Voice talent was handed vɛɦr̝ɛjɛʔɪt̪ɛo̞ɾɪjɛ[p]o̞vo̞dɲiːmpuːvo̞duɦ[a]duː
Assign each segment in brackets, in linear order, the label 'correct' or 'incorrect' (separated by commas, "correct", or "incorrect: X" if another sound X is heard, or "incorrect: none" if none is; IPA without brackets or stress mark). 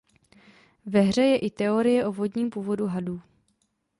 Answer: incorrect: ʔ, correct